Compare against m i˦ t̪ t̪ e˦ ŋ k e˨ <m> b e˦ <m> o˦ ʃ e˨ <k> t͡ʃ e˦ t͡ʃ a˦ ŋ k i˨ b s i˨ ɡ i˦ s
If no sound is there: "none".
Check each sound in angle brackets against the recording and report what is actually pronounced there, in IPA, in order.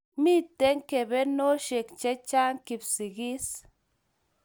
none, n, k

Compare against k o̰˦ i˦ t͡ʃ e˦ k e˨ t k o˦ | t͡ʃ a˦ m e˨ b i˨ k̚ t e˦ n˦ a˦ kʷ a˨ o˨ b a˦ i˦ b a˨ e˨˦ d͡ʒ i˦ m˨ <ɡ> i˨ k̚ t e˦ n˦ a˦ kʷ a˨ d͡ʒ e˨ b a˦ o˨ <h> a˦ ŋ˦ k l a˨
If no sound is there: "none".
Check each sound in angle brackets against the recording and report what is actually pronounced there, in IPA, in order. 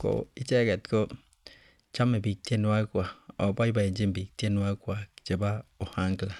b, h

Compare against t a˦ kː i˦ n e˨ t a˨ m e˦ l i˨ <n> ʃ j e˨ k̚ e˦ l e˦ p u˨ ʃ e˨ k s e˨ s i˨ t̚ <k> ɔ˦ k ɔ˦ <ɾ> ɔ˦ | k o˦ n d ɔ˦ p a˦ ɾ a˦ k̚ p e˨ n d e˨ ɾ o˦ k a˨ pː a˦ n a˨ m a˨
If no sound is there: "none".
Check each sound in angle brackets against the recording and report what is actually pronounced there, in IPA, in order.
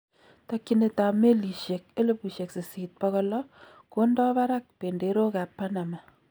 none, p, l

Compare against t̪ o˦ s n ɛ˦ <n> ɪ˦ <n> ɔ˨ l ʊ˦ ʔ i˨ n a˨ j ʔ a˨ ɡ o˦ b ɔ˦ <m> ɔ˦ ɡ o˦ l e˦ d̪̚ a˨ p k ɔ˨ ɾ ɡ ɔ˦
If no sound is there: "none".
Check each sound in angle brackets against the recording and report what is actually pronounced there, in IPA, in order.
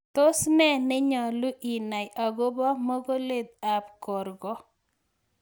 n, ɲ, m

